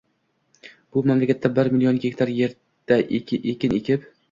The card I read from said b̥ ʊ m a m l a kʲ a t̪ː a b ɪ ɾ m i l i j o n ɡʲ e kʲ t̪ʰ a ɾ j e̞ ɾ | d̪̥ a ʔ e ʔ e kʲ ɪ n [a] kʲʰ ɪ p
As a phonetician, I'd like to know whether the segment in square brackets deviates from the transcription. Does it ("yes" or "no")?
yes